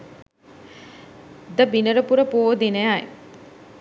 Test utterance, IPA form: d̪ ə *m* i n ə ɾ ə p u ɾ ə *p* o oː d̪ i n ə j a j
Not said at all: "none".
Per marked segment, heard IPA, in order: b, p

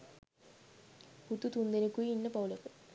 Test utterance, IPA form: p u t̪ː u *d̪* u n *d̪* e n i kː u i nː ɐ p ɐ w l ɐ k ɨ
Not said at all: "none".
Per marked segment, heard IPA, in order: t̪, d̪

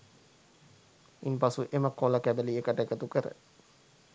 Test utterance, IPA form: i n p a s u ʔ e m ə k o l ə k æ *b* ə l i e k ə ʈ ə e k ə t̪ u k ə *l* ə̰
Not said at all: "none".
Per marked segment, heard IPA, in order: b, ɾ

